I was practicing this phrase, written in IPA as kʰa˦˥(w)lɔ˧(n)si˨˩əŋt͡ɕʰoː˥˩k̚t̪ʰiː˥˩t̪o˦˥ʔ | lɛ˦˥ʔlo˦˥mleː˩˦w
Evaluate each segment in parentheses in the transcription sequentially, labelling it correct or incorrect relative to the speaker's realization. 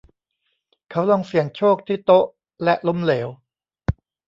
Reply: correct, incorrect: ŋ

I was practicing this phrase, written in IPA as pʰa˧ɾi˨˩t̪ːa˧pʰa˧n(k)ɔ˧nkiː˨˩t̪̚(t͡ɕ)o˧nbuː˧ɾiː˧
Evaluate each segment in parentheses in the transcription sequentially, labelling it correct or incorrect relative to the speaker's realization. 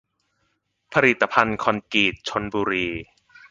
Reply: incorrect: kʰ, incorrect: t͡ɕʰ

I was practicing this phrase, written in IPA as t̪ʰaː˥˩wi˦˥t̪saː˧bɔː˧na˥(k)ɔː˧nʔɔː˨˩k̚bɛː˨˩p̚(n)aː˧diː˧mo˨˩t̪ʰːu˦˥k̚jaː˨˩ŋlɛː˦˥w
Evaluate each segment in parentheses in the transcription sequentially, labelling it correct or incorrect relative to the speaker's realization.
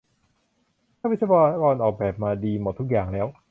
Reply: correct, incorrect: m

